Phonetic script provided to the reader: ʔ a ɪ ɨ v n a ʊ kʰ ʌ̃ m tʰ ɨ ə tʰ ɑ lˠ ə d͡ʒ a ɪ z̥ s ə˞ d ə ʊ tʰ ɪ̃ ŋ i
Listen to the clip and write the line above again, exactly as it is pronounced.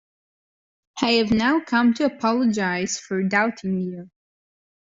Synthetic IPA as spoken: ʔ a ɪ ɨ v n a ʊ kʰ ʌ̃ m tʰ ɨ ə pʰ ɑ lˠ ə d͡ʒ a ɪ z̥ f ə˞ d a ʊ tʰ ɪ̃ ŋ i